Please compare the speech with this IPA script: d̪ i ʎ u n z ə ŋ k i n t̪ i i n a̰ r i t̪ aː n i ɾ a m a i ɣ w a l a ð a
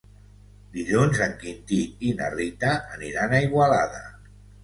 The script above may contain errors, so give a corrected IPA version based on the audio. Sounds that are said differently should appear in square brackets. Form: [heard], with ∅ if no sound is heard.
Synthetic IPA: d̪ i ʎ u n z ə ŋ k i n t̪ i i n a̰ r i t̪ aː n i ɾ a [n] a i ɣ w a l a ð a